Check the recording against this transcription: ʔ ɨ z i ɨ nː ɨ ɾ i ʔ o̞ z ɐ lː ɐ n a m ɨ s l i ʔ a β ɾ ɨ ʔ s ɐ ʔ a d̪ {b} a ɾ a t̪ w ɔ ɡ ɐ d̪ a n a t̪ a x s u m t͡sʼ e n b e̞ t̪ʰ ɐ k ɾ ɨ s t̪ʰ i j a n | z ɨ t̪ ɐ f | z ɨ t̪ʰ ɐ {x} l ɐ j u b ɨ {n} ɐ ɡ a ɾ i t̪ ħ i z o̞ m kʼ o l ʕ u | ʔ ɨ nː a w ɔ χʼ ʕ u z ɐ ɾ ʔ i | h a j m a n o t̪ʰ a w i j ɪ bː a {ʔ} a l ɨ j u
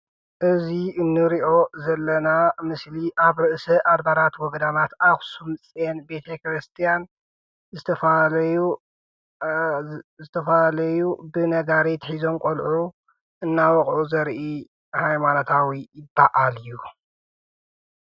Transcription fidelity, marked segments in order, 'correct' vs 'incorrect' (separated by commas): correct, incorrect, correct, correct